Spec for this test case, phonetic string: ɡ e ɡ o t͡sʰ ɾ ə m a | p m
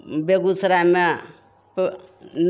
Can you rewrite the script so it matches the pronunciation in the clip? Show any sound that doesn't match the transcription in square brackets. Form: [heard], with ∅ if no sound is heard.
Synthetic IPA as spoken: [b] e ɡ [u] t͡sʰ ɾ [a] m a | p [n]